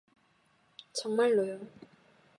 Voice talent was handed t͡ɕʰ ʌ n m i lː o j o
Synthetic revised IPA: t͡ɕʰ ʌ ŋ m a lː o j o